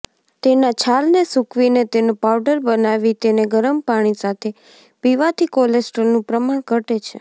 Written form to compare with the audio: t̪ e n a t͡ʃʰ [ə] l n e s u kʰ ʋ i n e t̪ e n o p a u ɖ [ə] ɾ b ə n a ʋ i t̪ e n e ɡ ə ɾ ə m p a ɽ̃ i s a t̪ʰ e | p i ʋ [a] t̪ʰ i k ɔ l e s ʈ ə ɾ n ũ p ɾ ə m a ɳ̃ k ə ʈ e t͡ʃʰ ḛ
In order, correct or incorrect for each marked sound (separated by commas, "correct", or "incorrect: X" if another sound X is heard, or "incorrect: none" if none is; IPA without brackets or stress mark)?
incorrect: a, correct, correct